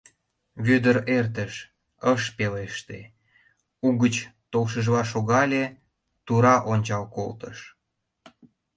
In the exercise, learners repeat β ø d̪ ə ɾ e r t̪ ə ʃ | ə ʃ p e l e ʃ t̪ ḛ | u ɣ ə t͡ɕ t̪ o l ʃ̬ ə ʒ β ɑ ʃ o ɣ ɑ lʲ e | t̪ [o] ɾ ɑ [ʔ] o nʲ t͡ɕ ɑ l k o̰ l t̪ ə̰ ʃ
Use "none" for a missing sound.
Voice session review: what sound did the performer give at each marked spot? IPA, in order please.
u, ʔ

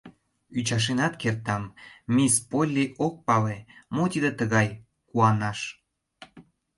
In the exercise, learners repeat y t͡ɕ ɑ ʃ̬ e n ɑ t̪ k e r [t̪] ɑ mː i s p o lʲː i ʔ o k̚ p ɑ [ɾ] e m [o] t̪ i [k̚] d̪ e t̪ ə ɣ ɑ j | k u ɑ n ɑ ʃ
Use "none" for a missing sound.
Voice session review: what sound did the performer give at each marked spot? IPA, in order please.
t̪, l, o, none

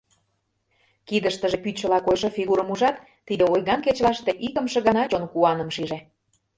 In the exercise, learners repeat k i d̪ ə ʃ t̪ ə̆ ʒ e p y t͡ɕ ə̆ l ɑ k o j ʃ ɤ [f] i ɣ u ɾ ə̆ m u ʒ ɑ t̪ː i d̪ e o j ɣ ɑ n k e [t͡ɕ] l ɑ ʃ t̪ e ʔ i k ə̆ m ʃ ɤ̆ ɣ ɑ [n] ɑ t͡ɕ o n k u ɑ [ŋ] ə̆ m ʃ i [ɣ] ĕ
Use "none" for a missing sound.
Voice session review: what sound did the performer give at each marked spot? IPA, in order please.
f, t͡ɕ, n, n, ʒ

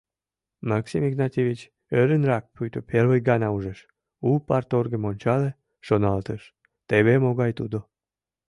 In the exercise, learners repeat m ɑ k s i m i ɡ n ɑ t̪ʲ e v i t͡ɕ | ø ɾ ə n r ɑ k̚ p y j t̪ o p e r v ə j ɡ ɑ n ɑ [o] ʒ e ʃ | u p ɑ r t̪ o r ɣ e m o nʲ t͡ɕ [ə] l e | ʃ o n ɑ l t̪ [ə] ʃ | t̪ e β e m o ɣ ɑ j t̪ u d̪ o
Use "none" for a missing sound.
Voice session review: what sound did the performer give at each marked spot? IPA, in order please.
u, ɑ, ə

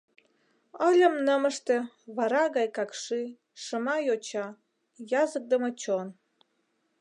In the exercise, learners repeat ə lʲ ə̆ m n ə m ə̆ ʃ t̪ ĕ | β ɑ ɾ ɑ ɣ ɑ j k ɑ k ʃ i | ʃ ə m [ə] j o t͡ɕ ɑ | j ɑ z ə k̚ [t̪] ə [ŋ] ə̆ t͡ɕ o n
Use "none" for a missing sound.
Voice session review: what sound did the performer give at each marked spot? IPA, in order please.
ɑ, d̪, m

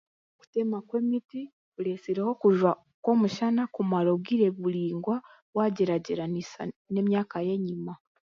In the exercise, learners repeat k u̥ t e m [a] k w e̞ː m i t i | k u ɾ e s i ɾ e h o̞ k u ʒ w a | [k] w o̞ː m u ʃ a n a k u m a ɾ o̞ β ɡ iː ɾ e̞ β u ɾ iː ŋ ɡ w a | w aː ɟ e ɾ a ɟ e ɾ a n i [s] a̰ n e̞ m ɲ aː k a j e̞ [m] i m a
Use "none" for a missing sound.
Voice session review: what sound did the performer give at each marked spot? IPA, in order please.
a, k, s, ɲ

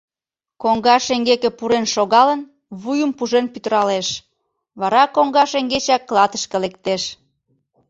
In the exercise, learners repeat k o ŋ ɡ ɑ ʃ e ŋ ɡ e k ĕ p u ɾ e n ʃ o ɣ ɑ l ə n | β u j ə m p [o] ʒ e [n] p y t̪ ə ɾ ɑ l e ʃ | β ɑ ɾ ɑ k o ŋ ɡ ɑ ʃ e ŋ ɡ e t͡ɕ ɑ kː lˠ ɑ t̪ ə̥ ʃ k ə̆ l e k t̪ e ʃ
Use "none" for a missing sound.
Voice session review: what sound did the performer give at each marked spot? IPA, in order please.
u, n

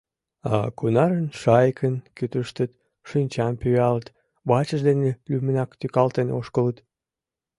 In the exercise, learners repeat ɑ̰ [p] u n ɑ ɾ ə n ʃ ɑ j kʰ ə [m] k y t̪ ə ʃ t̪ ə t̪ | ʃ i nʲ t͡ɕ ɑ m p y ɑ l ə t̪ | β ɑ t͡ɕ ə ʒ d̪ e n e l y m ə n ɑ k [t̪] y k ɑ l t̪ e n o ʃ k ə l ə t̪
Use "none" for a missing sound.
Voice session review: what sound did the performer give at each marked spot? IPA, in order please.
k, n, t̪

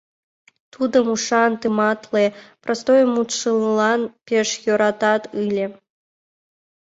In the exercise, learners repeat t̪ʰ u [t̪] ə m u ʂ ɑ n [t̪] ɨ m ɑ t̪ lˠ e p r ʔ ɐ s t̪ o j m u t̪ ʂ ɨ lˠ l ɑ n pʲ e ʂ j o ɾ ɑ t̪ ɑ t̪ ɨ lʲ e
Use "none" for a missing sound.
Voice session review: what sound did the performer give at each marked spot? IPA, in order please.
d̪, t̪

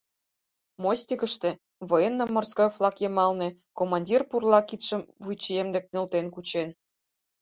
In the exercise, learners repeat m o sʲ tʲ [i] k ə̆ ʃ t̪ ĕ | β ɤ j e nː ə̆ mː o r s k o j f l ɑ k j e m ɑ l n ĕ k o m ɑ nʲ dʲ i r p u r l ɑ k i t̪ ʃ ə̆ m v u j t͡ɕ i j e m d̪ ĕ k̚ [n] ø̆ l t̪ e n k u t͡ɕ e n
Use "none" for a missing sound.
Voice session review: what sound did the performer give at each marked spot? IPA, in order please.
i, n

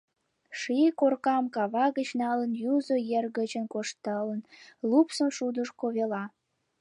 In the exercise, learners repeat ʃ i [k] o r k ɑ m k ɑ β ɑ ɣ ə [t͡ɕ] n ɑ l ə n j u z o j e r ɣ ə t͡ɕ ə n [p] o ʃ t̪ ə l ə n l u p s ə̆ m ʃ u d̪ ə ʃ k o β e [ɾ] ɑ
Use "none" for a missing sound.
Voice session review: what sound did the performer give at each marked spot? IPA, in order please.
k, t͡ɕ, k, l

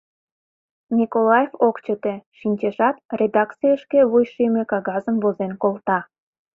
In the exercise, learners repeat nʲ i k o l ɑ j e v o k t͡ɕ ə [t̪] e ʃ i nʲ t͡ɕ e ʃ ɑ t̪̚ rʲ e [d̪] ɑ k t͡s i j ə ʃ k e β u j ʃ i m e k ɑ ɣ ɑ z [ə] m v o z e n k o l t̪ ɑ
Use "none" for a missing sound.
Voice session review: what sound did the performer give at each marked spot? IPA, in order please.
t̪, d̪, ə

